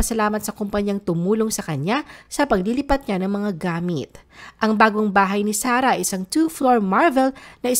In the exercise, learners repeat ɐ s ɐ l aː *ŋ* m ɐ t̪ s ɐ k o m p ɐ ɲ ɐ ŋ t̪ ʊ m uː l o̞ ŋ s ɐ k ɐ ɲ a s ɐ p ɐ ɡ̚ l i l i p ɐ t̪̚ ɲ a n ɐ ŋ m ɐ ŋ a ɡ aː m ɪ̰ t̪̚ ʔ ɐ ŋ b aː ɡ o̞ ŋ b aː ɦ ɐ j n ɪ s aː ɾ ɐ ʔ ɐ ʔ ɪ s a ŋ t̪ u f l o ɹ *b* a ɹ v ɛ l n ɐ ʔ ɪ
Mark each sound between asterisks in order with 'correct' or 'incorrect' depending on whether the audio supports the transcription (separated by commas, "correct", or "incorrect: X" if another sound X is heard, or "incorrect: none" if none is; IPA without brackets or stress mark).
incorrect: none, incorrect: m